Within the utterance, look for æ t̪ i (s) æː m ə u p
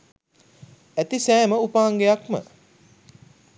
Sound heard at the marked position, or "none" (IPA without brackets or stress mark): s